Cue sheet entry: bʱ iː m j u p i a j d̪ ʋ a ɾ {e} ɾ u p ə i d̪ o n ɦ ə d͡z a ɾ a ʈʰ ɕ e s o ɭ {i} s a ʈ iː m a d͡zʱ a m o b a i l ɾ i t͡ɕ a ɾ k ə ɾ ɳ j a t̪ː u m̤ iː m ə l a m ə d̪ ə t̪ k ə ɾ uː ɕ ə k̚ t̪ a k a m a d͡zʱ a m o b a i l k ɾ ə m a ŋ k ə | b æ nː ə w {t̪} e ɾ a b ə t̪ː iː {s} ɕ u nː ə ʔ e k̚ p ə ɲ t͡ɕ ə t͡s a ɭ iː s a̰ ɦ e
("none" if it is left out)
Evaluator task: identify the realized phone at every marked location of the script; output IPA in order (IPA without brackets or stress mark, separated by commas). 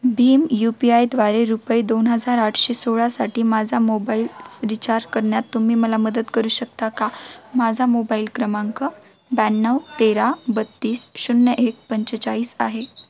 e, a, t̪, s